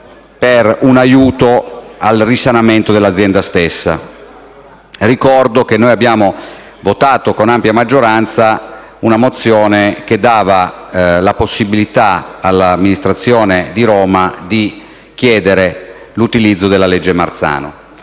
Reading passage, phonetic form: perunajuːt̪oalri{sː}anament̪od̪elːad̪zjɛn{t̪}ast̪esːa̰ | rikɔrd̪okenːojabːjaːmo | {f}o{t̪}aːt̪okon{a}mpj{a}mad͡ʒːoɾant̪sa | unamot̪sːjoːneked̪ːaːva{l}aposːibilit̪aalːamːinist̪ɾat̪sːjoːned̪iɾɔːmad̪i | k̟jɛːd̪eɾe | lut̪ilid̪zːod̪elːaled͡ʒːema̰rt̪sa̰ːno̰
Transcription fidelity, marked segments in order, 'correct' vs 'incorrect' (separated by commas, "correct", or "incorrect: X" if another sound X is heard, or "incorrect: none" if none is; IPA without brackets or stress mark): incorrect: s, incorrect: d̪, incorrect: v, correct, correct, correct, correct